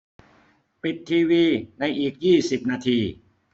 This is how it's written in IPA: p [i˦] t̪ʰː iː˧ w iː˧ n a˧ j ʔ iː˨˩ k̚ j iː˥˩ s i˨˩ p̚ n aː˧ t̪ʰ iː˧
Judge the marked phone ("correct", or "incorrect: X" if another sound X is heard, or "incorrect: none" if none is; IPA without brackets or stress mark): incorrect: i˨˩